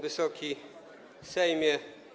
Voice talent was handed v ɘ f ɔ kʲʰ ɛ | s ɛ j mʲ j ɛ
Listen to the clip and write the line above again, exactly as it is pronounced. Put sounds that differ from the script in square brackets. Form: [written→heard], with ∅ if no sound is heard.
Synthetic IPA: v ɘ [f→s] ɔ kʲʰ [ɛ→i] | s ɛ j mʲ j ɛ